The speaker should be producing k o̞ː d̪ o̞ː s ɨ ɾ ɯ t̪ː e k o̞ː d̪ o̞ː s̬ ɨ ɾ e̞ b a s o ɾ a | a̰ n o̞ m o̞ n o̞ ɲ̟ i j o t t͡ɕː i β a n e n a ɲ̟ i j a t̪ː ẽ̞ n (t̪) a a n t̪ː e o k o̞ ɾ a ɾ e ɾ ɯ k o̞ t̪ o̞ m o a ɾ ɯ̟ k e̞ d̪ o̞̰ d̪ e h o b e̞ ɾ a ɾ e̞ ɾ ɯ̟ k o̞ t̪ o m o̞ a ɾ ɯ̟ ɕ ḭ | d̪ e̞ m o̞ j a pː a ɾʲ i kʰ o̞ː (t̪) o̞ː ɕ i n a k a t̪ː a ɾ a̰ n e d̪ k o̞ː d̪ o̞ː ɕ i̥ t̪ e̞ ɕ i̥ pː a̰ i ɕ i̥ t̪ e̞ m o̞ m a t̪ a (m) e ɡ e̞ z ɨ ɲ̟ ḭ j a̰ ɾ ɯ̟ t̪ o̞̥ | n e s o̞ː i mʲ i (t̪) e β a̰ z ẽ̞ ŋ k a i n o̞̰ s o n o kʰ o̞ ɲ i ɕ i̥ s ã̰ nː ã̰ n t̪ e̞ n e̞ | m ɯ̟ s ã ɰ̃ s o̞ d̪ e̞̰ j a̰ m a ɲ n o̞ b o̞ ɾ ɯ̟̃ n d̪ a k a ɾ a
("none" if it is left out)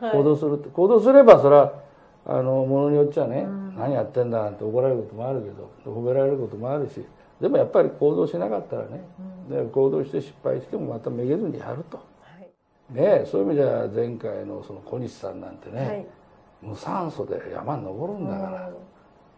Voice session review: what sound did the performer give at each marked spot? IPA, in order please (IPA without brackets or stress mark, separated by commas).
d̪, d̪, m, d̪